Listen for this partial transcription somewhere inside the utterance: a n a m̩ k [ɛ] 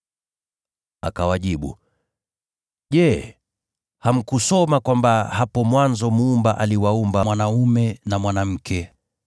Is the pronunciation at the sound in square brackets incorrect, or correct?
correct